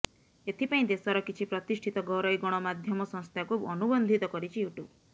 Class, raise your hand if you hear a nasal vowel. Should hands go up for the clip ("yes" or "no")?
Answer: yes